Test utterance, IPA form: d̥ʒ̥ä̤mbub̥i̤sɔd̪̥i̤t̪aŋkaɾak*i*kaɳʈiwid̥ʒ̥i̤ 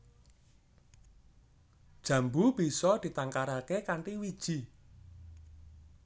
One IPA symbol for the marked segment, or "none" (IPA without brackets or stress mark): e